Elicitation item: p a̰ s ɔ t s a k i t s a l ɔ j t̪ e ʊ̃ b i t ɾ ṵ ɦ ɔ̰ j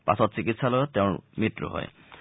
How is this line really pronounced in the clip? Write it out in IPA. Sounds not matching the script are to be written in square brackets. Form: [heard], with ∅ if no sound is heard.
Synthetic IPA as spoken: p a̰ s ɔ t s [i] k i t s a l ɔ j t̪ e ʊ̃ [m] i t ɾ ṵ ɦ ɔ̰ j